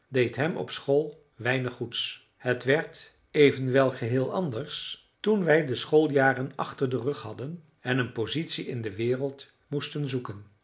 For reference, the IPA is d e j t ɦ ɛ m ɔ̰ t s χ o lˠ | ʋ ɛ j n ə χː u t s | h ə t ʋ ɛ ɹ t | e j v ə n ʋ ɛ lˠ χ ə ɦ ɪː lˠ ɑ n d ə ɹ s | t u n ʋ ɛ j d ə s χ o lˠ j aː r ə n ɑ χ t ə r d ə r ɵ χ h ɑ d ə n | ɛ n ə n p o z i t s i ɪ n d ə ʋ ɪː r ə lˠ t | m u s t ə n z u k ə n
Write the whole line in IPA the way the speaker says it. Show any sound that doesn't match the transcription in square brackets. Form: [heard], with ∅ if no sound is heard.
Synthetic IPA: d e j t ɦ ɛ m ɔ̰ [p] s χ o lˠ | ʋ ɛ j n ə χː u t s | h ə t ʋ ɛ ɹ t | e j v ə n ʋ ɛ lˠ χ ə ɦ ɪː lˠ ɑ n d ə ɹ s | t u n ʋ ɛ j d ə s χ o lˠ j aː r ə n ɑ χ t ə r d ə r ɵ χ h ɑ d ə n | ɛ n ə n p o z i t s i ɪ n d ə ʋ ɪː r ə lˠ t | m u s t ə n z u k ə n